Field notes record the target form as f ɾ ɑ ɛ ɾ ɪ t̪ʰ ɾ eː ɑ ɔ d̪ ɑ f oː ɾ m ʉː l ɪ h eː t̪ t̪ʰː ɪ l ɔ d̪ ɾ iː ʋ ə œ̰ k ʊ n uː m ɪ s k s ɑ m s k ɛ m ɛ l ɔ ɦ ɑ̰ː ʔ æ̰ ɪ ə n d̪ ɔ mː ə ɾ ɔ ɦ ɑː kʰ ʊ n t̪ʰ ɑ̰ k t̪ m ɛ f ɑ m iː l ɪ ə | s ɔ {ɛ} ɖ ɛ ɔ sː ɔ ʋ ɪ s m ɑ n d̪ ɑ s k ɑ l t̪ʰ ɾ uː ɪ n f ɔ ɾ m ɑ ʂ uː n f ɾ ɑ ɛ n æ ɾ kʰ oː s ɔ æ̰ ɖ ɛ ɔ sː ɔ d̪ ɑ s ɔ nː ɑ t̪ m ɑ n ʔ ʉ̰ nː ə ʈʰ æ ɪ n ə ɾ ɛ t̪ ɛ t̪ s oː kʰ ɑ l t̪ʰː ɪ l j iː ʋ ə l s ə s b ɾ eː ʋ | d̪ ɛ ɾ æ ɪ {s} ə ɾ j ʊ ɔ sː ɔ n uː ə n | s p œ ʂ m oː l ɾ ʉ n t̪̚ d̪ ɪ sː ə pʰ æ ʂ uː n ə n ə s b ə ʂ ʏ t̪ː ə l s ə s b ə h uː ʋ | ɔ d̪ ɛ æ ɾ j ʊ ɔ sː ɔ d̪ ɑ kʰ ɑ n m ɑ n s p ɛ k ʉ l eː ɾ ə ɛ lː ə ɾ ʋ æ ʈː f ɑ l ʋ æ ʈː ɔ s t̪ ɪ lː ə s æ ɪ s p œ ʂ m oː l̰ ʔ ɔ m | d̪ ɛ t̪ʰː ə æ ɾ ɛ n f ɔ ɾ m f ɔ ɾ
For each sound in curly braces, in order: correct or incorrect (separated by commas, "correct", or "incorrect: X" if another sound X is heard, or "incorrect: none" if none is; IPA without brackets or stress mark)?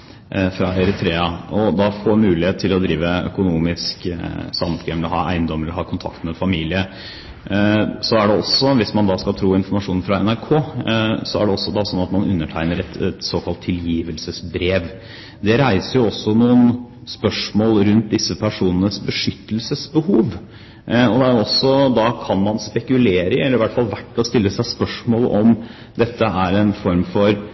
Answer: incorrect: æ, correct